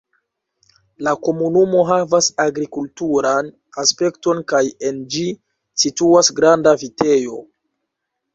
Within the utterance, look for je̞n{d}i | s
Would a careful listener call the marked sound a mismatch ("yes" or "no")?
yes